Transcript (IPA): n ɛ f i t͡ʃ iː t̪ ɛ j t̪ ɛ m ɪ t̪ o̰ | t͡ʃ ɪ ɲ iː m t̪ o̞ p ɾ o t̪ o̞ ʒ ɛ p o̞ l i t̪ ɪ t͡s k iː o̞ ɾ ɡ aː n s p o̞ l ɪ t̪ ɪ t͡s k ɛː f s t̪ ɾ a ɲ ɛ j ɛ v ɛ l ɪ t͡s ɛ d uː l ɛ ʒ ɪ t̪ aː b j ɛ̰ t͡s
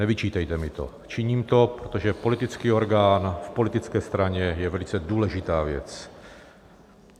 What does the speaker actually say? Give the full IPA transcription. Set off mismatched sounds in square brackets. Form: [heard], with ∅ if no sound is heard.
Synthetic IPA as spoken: n ɛ [v] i t͡ʃ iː t̪ ɛ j t̪ ɛ m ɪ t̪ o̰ | t͡ʃ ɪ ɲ iː m t̪ o̞ p ɾ o t̪ o̞ ʒ ɛ p o̞ l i t̪ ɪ t͡s k iː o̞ ɾ ɡ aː n [f] p o̞ l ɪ t̪ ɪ t͡s k ɛː [∅] s t̪ ɾ a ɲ ɛ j ɛ v ɛ l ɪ t͡s ɛ d uː l ɛ ʒ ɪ t̪ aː [v] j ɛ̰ t͡s